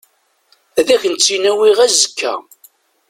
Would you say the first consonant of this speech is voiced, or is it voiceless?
voiced